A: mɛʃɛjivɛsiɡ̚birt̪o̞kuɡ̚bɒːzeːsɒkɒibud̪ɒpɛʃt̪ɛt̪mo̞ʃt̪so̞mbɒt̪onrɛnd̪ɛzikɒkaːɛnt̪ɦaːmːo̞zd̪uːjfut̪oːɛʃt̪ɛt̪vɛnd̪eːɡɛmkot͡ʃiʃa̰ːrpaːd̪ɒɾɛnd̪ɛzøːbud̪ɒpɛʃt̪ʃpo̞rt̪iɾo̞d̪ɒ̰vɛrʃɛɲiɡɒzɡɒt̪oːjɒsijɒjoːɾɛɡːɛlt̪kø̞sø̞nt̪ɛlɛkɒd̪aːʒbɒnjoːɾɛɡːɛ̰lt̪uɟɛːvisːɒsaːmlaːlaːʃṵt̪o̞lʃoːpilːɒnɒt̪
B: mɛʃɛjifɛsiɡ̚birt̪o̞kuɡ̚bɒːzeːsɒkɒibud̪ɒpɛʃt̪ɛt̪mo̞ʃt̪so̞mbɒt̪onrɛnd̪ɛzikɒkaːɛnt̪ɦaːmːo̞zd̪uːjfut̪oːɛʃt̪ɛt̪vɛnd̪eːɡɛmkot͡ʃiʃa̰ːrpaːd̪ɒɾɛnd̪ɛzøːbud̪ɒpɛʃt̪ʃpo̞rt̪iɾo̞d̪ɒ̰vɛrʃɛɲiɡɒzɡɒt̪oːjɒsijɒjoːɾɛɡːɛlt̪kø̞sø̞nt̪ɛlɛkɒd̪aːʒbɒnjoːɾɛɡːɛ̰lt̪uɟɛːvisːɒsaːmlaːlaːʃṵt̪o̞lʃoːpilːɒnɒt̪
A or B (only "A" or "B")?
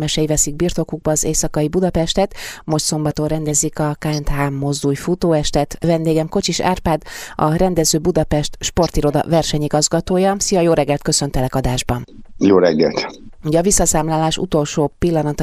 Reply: A